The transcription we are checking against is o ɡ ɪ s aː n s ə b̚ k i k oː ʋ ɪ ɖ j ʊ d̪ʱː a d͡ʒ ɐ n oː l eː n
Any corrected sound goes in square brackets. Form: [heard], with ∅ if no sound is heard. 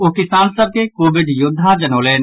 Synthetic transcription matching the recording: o [k] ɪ s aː n s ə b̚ k [e] k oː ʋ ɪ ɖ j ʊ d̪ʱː a d͡ʒ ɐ n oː l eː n